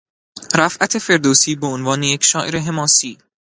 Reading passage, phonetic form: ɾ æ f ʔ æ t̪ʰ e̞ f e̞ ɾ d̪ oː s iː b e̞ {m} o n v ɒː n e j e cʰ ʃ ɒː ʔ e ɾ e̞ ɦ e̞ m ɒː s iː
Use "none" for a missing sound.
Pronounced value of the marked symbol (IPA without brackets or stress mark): none